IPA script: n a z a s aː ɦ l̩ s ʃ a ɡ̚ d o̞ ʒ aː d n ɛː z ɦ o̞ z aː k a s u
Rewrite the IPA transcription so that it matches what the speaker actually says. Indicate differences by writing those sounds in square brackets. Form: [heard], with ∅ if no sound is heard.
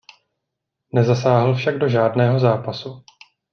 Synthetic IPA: n [ɛ] z a s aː ɦ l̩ [f] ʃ a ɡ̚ d o̞ ʒ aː d n ɛː [∅] ɦ o̞ z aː [p] a s u